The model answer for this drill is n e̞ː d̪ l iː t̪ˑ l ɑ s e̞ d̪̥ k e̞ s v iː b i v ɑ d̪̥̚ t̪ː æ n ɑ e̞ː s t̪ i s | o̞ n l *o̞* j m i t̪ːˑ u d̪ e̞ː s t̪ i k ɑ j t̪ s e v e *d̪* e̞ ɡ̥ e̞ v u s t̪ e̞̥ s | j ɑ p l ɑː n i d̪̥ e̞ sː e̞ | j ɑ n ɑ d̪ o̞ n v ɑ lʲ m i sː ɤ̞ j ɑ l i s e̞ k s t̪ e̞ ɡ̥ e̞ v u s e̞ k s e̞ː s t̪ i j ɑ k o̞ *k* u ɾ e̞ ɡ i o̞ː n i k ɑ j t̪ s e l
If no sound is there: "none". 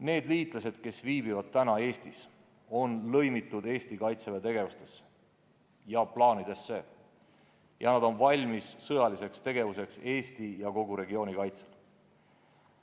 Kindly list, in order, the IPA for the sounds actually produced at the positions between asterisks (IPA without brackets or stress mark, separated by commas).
ɤ̞, t̪, ɡ